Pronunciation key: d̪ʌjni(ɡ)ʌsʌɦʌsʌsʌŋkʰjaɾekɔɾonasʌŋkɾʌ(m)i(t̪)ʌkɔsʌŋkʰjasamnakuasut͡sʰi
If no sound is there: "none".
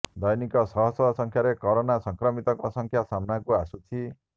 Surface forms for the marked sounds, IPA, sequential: k, m, t̪

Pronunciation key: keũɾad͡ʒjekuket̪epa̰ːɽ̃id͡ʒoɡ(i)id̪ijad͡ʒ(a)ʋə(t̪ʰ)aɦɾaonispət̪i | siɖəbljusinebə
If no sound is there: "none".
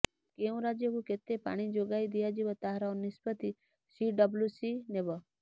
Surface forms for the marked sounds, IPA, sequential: a, i, t̪

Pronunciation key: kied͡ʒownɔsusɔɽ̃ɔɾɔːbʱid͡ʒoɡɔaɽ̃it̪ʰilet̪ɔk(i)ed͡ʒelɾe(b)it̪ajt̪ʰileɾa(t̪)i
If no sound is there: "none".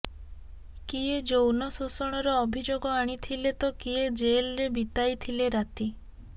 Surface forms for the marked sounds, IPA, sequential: i, b, t̪

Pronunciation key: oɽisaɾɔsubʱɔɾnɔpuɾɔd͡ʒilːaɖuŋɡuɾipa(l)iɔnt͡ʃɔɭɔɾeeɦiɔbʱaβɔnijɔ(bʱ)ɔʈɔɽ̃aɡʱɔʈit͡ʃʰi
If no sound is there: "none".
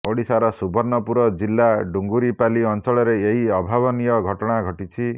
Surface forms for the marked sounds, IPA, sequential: l, ɡʱ

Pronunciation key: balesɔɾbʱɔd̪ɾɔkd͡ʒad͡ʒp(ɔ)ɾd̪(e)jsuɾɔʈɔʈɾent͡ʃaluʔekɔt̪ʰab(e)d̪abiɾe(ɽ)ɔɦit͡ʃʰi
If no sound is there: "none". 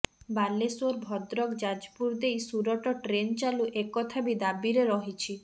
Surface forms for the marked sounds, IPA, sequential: u, e, i, ɾ

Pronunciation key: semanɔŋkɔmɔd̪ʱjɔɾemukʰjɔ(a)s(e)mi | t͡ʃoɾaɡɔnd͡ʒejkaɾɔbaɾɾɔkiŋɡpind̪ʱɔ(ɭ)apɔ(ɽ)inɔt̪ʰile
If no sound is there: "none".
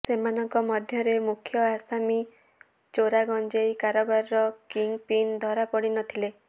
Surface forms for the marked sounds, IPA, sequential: a, a, ɾ, ɽ

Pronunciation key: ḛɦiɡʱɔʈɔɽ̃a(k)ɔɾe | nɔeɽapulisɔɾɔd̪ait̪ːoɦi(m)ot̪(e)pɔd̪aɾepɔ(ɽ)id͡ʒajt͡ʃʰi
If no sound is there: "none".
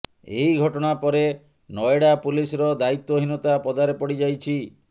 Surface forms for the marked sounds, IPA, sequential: p, n, a, ɽ

